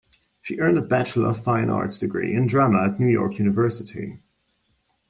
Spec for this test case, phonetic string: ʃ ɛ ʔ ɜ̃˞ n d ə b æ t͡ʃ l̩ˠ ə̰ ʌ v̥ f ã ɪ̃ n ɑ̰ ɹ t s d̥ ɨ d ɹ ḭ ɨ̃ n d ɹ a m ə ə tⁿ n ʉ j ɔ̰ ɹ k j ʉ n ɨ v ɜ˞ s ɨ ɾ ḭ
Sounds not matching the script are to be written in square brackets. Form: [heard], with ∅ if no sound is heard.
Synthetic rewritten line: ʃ [i] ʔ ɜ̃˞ n d ə b æ t͡ʃ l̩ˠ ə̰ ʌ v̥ f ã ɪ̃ n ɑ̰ ɹ t s d̥ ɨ [ɡ] ɹ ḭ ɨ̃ n d ɹ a m ə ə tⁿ n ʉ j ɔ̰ ɹ k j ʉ n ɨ v ɜ˞ s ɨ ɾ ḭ